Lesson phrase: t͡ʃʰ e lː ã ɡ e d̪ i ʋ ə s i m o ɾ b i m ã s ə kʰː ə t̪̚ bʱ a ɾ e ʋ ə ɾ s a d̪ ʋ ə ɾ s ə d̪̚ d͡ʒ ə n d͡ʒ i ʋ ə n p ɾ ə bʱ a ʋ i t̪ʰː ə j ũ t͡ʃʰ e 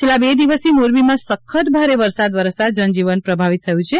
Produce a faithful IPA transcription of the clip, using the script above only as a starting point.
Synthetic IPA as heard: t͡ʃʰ e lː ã b e d̪ i ʋ ə s i m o ɾ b i m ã s ə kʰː ə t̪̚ bʱ a ɾ e ʋ ə ɾ s a d̪ ʋ ə ɾ s a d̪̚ d͡ʒ ə n d͡ʒ i ʋ ə n p ɾ ə bʱ a ʋ i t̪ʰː ə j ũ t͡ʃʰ e